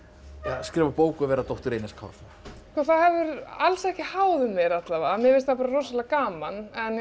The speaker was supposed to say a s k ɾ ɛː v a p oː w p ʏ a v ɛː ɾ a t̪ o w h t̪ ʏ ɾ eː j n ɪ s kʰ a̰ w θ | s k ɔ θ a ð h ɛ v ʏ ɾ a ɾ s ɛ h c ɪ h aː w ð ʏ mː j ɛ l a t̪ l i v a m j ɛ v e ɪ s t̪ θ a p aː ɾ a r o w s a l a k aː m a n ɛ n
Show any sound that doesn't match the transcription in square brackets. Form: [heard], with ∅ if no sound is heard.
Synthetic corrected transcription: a s k ɾ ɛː v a p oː w [k] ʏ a v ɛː ɾ a t̪ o w h t̪ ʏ ɾ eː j n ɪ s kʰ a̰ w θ | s k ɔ θ a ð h ɛ v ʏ ɾ a [l] s ɛ h c ɪ h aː w ð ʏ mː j ɛ [ɾ] a t̪ l [a] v a m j ɛ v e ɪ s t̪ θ a p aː ɾ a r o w s a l a k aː m a n ɛ n